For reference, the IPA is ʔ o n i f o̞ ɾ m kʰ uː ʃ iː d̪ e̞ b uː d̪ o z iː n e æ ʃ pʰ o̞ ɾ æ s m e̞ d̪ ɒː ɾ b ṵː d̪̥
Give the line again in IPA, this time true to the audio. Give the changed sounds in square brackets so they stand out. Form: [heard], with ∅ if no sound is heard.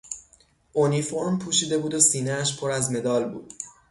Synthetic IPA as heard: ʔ o n i f o̞ ɾ m [pʰ] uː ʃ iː d̪ e̞ b uː d̪ o [s] iː n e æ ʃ pʰ o̞ ɾ æ [z] m e̞ d̪ ɒː [l] b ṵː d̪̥